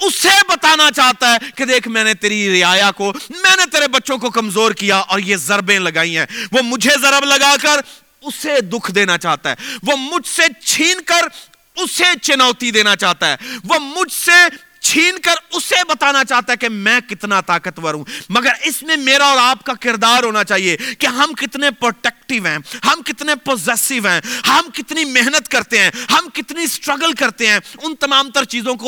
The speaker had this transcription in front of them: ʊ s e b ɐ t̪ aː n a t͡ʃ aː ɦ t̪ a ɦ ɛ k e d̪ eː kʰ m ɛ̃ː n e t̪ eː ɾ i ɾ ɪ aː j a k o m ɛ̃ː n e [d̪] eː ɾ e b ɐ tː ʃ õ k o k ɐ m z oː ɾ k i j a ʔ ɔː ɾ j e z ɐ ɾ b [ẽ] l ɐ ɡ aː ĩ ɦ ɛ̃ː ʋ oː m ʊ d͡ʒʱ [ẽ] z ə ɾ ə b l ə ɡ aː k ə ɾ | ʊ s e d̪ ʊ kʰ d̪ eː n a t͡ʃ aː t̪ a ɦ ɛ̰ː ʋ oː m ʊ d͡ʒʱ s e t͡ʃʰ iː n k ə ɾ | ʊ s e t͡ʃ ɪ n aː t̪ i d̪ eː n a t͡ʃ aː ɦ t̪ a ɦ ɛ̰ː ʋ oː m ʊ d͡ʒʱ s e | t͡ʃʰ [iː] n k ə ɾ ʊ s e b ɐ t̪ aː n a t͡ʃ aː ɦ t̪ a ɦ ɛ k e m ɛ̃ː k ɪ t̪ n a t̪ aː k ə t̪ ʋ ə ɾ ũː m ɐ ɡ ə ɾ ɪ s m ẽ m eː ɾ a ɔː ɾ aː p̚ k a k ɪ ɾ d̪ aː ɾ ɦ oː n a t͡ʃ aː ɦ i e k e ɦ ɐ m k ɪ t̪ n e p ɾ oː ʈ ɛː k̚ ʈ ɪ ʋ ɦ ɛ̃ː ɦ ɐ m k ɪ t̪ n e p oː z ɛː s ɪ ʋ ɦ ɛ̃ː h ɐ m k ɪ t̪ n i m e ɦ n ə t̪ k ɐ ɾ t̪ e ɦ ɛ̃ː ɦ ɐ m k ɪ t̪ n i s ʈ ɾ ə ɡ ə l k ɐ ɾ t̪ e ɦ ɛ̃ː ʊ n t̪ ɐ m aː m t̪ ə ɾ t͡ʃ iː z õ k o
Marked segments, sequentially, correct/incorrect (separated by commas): incorrect, correct, incorrect, correct